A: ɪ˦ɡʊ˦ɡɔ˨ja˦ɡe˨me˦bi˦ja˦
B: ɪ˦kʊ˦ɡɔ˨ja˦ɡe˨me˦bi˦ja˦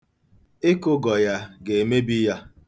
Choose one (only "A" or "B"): B